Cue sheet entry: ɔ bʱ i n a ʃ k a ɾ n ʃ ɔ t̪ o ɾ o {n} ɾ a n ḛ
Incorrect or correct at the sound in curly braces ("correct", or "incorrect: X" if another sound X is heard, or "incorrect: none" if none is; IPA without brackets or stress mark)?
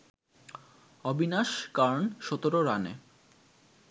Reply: incorrect: none